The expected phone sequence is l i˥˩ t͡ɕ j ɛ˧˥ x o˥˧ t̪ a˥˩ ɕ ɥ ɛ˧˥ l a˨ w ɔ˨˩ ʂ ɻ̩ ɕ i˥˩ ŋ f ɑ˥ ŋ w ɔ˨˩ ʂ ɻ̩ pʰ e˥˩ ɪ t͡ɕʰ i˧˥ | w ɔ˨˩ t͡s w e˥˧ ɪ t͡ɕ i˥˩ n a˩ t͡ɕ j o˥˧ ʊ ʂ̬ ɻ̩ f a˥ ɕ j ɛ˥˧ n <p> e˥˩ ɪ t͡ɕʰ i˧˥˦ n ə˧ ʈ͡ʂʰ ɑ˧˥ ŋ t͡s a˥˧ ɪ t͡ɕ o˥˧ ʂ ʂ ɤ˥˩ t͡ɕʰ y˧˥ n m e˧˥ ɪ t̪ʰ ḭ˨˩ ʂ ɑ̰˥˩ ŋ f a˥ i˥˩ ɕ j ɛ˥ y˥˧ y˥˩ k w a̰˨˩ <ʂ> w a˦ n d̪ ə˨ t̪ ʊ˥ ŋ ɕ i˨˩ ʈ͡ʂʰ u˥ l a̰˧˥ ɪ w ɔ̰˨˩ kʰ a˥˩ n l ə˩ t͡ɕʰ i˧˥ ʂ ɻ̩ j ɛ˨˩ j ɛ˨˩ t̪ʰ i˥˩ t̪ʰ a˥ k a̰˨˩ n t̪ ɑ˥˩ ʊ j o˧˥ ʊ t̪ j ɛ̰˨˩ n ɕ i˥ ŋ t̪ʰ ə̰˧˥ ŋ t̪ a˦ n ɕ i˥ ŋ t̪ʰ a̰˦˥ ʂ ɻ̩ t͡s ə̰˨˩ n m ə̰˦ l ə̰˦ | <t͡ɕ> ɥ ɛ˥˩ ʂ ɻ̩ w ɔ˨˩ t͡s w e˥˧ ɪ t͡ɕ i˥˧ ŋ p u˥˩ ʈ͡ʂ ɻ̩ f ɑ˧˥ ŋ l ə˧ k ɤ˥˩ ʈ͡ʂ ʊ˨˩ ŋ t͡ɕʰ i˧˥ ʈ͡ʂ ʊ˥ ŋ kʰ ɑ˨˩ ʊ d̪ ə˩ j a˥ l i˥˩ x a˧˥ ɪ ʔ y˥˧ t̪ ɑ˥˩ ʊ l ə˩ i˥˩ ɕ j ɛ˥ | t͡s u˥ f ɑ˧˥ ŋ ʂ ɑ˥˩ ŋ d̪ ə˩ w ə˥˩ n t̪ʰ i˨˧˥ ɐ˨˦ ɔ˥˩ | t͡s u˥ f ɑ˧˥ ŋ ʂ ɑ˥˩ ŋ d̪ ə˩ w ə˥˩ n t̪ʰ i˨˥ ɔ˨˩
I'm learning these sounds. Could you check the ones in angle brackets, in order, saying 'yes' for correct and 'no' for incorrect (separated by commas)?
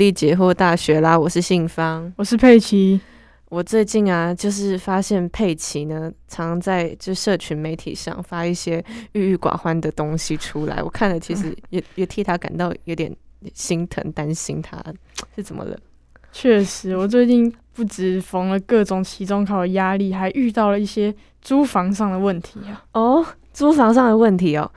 no, no, no